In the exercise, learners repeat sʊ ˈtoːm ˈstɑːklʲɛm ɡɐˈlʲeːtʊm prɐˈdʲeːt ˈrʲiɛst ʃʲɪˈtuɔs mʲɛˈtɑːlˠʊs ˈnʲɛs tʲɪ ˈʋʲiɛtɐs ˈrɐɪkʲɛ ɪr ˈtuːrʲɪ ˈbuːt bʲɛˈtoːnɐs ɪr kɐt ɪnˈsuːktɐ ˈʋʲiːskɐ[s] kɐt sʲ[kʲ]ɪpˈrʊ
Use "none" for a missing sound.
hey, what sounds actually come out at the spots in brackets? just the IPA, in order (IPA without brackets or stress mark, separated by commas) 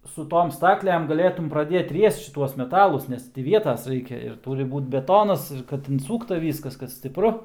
s, tʲ